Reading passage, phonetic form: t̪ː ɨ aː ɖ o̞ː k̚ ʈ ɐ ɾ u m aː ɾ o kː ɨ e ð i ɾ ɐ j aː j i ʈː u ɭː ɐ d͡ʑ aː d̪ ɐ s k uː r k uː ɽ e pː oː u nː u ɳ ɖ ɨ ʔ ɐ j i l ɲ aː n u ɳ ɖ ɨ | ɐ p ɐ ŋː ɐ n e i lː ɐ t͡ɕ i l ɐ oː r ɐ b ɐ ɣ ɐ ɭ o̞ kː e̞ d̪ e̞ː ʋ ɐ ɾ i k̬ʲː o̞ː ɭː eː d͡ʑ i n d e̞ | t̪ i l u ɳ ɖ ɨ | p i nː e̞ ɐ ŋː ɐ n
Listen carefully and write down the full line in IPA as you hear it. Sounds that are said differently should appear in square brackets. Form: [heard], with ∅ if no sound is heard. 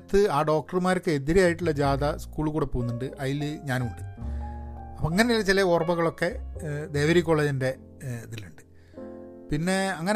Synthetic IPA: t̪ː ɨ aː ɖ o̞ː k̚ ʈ ɐ [r] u m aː ɾ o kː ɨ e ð i ɾ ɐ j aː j i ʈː u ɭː ɐ d͡ʑ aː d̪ ɐ s k uː [ɭ] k uː ɽ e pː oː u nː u ɳ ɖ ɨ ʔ ɐ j i l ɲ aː n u ɳ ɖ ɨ | ɐ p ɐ ŋː ɐ n e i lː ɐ t͡ɕ i l ɐ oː r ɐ b ɐ ɣ ɐ ɭ o̞ kː e̞ d̪ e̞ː ʋ ɐ ɾ i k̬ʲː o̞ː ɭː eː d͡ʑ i n d e̞ | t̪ i l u ɳ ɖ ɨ | p i nː e̞ ɐ ŋː ɐ n